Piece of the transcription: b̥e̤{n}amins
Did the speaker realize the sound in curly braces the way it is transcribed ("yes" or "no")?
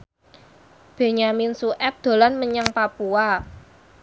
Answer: no